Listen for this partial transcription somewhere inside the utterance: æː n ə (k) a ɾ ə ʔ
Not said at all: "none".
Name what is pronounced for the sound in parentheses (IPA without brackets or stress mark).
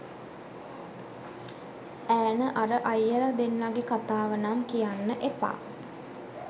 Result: ʔ